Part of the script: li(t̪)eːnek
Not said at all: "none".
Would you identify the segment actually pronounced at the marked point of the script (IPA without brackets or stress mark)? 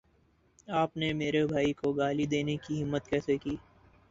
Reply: d̪